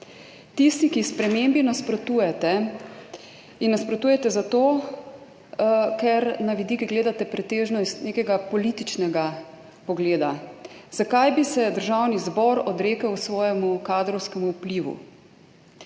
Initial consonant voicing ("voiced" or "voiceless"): voiceless